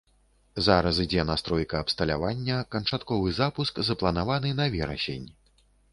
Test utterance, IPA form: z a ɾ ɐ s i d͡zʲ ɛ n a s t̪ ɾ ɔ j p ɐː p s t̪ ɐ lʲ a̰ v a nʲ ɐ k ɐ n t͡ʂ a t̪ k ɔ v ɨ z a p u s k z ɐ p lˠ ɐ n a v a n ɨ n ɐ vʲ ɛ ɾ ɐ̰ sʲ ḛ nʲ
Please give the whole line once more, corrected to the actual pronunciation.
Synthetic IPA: z a ɾ ɐ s i d͡zʲ ɛ n a s t̪ ɾ ɔ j k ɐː p s t̪ ɐ lʲ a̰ v a nʲː ɐ k ɐ n t͡ʂ a t̪ k ɔ v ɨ z a p u s k z ɐ p lˠ ɐ n a v a n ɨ n ɐ vʲ ɛ ɾ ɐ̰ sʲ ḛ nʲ